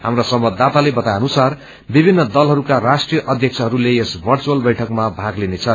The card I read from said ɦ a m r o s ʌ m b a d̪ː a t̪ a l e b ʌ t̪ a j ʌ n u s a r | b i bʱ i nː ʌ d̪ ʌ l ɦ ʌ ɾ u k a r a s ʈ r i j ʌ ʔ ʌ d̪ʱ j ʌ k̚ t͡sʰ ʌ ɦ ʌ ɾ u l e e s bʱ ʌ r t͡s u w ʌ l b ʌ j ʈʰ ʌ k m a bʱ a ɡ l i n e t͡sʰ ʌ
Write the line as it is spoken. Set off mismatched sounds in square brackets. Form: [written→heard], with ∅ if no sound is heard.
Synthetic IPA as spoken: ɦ a m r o s ʌ m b [a→ʌ] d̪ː a t̪ a l e b ʌ t̪ a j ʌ n u s a r | b i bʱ i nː ʌ d̪ ʌ l ɦ ʌ ɾ u k a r a s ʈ r i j ʌ ʔ ʌ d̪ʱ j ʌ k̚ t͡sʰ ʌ ɦ ʌ ɾ u l e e s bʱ ʌ r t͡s u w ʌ l b ʌ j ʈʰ ʌ k m a bʱ a ɡ l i n e t͡sʰ ʌ